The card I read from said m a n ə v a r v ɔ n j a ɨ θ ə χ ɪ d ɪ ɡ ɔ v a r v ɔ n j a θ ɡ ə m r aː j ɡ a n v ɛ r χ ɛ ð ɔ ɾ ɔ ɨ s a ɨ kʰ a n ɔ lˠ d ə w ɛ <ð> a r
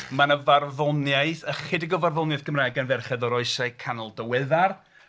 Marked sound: correct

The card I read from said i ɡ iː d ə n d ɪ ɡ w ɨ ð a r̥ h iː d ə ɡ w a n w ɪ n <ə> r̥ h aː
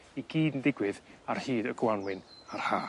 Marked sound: incorrect: a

